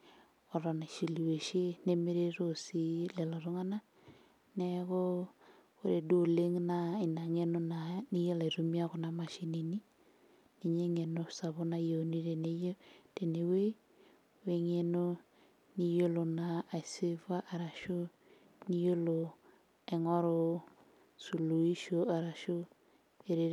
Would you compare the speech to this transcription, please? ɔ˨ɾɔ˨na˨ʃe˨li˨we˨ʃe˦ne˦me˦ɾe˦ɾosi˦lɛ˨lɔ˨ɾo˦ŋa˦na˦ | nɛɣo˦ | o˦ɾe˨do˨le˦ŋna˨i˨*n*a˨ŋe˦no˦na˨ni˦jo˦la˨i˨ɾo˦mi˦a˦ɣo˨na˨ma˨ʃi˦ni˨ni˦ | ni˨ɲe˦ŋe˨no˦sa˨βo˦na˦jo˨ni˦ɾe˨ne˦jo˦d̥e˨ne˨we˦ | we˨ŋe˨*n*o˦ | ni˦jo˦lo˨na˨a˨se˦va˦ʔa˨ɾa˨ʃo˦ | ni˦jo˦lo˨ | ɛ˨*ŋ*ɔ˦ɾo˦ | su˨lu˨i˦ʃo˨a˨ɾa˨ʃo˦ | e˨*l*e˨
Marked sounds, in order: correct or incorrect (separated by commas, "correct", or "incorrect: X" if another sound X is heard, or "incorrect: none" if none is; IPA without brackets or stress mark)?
correct, correct, correct, incorrect: ɾ